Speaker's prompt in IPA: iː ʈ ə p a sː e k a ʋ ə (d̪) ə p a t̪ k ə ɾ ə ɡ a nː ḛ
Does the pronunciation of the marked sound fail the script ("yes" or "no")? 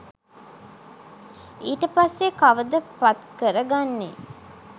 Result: no